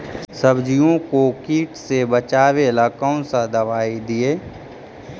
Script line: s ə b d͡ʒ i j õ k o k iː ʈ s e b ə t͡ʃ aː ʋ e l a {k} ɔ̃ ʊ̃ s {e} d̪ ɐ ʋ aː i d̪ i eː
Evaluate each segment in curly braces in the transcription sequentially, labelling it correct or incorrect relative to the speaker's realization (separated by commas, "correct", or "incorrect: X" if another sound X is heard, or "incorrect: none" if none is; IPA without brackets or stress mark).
correct, incorrect: a